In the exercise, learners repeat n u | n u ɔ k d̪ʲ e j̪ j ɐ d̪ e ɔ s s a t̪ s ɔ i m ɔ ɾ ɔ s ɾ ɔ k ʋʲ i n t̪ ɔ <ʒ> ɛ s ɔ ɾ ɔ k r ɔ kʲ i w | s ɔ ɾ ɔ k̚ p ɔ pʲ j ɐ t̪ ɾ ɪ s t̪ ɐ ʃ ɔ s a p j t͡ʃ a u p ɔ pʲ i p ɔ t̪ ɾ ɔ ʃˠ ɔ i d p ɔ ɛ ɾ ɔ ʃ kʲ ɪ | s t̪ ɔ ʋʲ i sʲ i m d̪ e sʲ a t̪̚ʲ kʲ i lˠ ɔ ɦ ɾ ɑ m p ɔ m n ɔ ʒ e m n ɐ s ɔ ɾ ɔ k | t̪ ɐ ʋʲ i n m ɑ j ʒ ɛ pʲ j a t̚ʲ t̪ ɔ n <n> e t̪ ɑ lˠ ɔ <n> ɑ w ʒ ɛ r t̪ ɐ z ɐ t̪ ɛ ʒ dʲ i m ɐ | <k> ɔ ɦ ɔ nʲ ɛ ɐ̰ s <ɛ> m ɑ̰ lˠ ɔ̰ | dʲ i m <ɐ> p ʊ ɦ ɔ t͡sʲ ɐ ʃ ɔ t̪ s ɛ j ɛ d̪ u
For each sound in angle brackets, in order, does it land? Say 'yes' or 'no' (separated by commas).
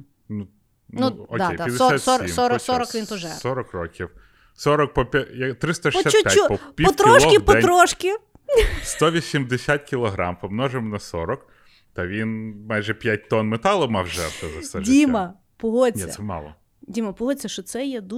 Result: yes, no, no, no, yes, yes